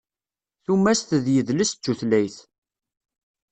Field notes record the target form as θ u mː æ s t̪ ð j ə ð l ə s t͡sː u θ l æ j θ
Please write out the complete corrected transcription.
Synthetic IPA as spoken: θ u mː æ s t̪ ð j ə ð l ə s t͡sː u θ l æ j θ

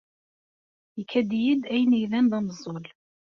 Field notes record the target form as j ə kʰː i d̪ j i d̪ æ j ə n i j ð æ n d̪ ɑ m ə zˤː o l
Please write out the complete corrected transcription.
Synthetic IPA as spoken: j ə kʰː æ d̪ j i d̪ æ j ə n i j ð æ n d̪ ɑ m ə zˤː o l

